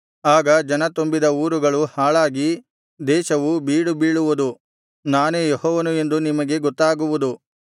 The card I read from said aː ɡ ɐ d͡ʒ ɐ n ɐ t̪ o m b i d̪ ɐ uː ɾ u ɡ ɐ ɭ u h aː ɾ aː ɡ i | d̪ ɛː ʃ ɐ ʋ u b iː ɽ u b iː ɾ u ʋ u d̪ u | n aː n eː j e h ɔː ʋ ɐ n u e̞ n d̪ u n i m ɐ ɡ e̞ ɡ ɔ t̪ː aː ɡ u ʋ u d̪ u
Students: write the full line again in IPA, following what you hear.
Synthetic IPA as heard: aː ɡ ɐ d͡ʒ ɐ n ɐ t̪ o m b i d̪ ɐ uː ɾ u ɡ ɐ ɭ u h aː ɭ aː ɡ i | d̪ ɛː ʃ ɐ ʋ u b iː ɽ u b iː ɭ u ʋ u d̪ u | n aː n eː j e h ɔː ʋ ɐ n u e̞ n d̪ u n i m ɐ ɡ e̞ ɡ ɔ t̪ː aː ɡ u ʋ u d̪ u

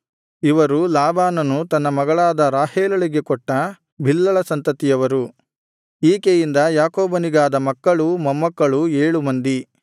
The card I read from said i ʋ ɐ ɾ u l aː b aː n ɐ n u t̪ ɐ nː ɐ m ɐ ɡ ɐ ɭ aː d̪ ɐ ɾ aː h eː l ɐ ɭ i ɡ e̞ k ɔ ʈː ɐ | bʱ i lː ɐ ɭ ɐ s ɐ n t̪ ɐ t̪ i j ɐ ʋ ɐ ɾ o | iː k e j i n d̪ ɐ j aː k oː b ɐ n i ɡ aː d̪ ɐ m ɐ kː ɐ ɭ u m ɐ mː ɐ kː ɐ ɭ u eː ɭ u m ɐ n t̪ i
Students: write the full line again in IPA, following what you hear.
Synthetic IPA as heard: i ʋ ɐ ɾ u l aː b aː n ɐ n u t̪ ɐ nː ɐ m ɐ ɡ ɐ ɭ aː d̪ ɐ ɾ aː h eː l ɐ ɭ i ɡ e̞ k ɔ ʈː ɐ | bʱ i lː ɐ ɭ ɐ s ɐ n t̪ ɐ t̪ i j ɐ ʋ ɐ ɾ u | iː k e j i n d̪ ɐ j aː k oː b ɐ n i ɡ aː d̪ ɐ m ɐ kː ɐ ɭ u m ɐ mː ɐ kː ɐ ɭ u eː ɭ u m ɐ n d̪ i

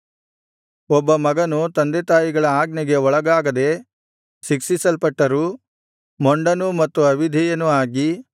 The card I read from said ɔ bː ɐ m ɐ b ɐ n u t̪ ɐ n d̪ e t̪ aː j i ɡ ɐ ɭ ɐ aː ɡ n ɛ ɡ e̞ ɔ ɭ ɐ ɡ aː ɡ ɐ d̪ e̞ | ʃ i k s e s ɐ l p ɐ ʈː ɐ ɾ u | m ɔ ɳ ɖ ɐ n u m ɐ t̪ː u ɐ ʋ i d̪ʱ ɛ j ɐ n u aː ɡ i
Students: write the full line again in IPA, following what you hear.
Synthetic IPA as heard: ɔ bː ɐ m ɐ ɡ ɐ n u t̪ ɐ n d̪ e t̪ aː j i ɡ ɐ ɭ ɐ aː ɡ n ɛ ɡ e̞ ɔ ɭ ɐ ɡ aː ɡ ɐ d̪ e̞ | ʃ i k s i s ɐ l p ɐ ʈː ɐ ɾ u | m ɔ ɳ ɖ ɐ n u m ɐ t̪ː u ɐ ʋ i d̪ʱ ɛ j ɐ n u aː ɡ i

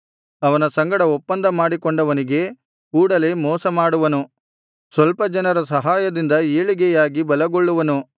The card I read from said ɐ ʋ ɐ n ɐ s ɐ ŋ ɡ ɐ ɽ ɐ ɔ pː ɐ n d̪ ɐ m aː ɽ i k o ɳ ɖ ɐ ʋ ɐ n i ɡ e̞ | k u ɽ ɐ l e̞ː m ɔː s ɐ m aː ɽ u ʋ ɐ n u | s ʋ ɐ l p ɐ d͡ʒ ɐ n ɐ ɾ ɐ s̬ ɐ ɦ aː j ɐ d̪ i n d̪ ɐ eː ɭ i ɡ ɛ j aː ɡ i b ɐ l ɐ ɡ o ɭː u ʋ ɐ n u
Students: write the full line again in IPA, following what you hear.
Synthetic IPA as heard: ɐ ʋ ɐ n ɐ s ɐ ŋ ɡ ɐ ɽ ɐ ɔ pː ɐ n d̪ ɐ m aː ɽ i k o ɳ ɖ ɐ ʋ ɐ n i ɡ e̞ | k uː ɽ ɐ l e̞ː m ɔː s ɐ m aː ɽ u ʋ ɐ n u | s ʋ ɐ l p ɐ d͡ʒ ɐ n ɐ ɾ ɐ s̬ ɐ ɦ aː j ɐ d̪ i n d̪ ɐ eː ɭ i ɡ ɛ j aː ɡ i b ɐ l ɐ ɡ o ɭː u ʋ ɐ n u

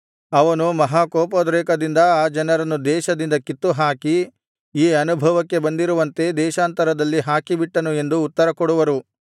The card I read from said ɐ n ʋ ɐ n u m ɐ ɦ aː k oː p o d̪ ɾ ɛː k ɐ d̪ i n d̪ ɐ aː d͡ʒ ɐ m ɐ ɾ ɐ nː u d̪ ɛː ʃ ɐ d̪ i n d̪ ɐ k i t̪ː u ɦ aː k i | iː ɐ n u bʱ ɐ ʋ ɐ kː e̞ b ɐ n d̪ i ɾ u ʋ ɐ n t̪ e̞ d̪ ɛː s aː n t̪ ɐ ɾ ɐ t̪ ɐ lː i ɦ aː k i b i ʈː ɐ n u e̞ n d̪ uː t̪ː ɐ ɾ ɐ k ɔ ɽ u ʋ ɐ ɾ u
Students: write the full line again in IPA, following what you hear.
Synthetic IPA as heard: ɐ ʋ ɐ n u m ɐ ɦ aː k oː p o d̪ ɾ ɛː k ɐ d̪ i n d̪ ɐ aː d͡ʒ ɐ n ɐ ɾ ɐ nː u d̪ ɛː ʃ ɐ d̪ i n d̪ ɐ k i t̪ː u ɦ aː k i | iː ɐ n u bʱ ɐ ʋ ɐ kː e̞ b ɐ n d̪ i ɾ u ʋ ɐ n t̪ e̞ d̪ ɛː ʃ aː n t̪ ɐ ɾ ɐ d̪ ɐ lː i ɦ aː k i b i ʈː ɐ n u e̞ n d̪ uː t̪ː ɐ ɾ ɐ k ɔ ɽ u ʋ ɐ ɾ u

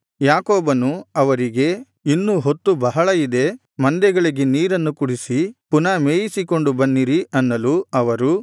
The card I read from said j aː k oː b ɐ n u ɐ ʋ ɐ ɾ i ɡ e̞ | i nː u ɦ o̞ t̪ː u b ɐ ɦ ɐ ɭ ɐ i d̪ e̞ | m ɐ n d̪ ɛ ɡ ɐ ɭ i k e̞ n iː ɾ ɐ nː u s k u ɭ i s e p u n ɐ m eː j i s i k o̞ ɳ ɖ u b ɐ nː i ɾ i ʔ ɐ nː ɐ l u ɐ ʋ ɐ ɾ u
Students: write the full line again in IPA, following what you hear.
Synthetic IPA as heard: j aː k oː b ɐ n u ɐ ʋ ɐ ɾ i ɡ e̞ | i nː u ɦ o̞ t̪ː u b ɐ ɦ ɐ ɭ ɐ i d̪ e̞ | m ɐ n d̪ ɛ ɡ ɐ ɭ i ɡ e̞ n iː ɾ ɐ nː u k u ɽ i s i p u n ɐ m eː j i s i k o̞ ɳ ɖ u b ɐ nː i ɾ i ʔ ɐ nː ɐ l u ɐ ʋ ɐ ɾ u

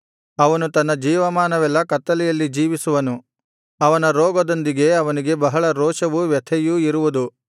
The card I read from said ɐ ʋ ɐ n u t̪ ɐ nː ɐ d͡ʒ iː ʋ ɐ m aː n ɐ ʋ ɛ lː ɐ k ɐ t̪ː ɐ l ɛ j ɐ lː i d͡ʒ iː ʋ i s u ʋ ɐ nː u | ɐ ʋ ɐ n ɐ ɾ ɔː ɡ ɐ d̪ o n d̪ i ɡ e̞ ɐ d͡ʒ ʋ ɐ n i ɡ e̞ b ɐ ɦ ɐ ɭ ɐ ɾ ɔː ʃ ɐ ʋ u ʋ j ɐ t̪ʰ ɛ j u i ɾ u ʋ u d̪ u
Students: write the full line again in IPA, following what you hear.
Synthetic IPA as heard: ɐ ʋ ɐ n u t̪ ɐ nː ɐ d͡ʒ iː ʋ ɐ m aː n ɐ ʋ ɛ lː ɐ k ɐ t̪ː ɐ l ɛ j ɐ lː i d͡ʒ iː ʋ i s u ʋ ɐ n u | ɐ ʋ ɐ n ɐ ɾ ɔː ɡ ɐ d̪ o n d̪ i ɡ e̞ ɐ ʋ ɐ n i ɡ e̞ b ɐ ɦ ɐ ɭ ɐ ɾ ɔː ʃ ɐ ʋ u ʋ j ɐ t̪ʰ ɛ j u i ɾ u ʋ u d̪ u

